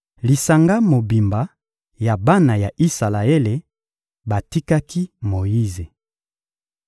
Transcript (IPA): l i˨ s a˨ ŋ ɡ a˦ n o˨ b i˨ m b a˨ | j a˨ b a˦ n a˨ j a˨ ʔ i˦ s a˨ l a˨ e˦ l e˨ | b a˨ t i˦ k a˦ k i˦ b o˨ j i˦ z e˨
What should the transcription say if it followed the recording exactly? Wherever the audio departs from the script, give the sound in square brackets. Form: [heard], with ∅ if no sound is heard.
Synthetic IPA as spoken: l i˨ s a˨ ŋ ɡ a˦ [m] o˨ b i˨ m b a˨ | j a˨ b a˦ n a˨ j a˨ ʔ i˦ s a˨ l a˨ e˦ l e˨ | b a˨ t i˦ k a˦ k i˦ [m] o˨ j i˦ z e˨